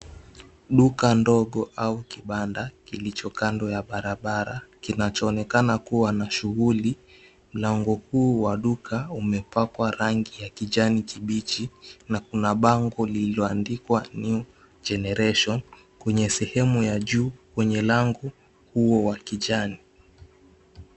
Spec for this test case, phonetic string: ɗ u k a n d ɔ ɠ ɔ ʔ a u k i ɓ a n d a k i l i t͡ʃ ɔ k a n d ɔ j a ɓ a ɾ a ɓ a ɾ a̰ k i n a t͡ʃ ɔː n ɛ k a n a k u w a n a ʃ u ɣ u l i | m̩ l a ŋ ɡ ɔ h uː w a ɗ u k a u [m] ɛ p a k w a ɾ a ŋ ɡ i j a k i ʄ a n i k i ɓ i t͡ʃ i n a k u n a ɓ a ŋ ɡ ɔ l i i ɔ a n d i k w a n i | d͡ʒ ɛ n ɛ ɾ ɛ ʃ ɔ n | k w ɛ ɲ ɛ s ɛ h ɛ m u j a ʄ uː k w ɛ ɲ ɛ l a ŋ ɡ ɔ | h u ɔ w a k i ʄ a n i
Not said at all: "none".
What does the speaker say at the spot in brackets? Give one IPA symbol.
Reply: m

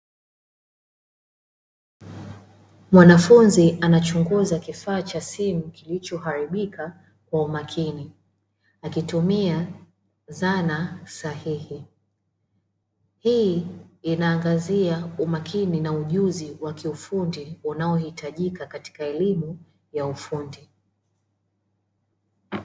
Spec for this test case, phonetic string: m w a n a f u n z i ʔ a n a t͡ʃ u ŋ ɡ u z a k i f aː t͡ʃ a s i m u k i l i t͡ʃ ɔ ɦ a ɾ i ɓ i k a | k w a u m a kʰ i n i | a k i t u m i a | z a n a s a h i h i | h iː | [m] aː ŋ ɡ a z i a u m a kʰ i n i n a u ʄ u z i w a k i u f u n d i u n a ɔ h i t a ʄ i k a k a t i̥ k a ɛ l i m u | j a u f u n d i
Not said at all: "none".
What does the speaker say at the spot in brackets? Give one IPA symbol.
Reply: n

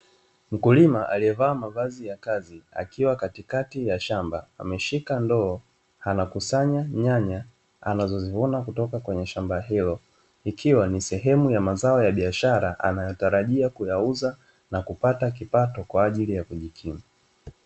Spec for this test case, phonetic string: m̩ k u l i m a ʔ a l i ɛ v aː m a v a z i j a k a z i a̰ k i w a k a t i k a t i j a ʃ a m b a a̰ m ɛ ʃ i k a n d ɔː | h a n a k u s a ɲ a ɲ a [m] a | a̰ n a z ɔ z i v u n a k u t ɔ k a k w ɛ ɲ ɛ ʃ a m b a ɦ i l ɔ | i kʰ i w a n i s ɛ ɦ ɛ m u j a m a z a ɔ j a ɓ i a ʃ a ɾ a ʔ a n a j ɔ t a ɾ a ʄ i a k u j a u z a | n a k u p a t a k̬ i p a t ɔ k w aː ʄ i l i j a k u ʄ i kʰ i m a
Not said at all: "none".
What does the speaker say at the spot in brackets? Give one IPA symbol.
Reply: ɲ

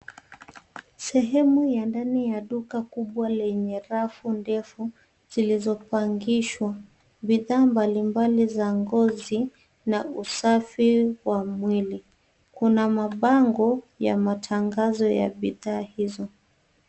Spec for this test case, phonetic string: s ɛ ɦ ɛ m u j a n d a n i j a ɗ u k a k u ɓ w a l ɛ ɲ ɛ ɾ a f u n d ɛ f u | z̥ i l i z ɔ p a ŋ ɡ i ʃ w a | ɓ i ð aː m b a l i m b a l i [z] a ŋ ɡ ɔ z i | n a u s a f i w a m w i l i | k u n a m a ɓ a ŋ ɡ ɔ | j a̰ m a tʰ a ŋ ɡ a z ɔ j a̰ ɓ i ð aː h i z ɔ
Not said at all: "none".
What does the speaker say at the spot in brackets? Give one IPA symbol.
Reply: z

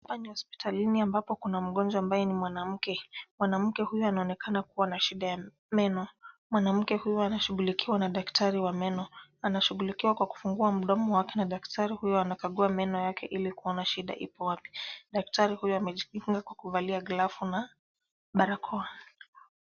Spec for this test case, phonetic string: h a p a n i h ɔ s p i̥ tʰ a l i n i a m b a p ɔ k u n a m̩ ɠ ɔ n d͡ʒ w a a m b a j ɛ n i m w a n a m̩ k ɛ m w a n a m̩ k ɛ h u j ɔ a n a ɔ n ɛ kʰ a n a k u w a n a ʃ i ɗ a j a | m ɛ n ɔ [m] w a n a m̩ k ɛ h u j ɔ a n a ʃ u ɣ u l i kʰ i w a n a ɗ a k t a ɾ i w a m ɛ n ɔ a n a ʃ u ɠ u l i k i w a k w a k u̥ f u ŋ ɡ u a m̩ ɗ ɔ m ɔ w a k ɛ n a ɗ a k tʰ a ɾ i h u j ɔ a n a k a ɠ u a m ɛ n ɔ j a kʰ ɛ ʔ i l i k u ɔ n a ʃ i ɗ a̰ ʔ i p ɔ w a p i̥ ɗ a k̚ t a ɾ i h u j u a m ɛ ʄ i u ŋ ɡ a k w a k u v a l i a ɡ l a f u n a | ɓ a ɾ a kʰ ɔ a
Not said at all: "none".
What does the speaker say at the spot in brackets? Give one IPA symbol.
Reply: m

